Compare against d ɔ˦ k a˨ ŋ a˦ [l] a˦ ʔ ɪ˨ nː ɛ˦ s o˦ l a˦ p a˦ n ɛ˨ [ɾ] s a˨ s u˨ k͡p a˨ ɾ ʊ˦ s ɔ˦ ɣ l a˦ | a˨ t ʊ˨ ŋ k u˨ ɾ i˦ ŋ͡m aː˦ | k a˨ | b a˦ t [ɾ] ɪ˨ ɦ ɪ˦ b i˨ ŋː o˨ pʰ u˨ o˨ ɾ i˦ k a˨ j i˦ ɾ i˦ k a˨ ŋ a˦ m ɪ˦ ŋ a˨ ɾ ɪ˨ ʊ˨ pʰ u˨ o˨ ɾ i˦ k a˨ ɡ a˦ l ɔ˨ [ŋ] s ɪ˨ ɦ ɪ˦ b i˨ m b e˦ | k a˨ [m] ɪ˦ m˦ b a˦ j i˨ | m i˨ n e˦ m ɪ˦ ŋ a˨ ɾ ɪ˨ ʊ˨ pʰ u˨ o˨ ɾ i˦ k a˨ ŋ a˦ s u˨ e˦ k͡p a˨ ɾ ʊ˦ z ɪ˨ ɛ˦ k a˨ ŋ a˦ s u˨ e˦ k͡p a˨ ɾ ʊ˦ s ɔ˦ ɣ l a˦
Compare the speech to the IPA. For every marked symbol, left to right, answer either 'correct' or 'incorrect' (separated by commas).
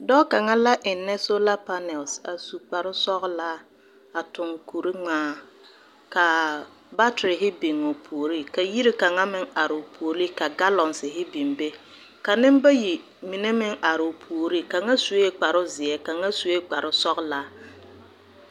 correct, incorrect, correct, incorrect, incorrect